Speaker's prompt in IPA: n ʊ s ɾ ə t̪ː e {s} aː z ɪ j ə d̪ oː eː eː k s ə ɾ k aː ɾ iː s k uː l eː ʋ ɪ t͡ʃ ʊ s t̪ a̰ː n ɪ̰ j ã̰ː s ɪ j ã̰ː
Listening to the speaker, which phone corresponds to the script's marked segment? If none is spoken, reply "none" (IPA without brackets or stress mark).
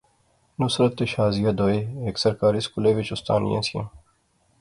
ʃ